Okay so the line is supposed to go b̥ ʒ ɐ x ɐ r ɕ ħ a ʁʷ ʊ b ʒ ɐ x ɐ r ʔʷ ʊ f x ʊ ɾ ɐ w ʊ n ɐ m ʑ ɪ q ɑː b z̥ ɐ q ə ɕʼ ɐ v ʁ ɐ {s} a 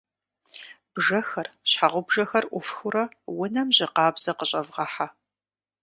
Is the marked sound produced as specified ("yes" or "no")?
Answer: no